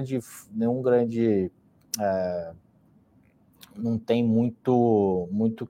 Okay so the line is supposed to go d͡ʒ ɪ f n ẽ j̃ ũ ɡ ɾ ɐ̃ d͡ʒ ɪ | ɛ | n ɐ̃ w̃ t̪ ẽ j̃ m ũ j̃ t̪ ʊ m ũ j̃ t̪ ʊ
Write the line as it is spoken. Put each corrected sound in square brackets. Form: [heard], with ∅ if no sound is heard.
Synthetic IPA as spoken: d͡ʒ ɪ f n ẽ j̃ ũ ɡ ɾ ɐ̃ d͡ʒ ɪ | ɛ | n ɐ̃ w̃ t̪ ẽ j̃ m ũ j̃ t̪ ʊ m ũ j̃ t̪ ʊ